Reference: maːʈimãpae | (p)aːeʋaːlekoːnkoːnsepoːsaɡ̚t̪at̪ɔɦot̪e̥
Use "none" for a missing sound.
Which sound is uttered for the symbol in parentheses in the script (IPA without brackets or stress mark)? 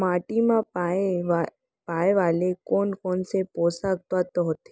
p